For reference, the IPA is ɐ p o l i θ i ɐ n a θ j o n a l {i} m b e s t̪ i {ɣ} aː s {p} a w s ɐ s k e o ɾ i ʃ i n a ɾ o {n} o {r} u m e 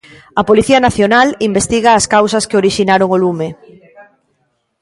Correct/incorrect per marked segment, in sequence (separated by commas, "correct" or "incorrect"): correct, correct, incorrect, incorrect, incorrect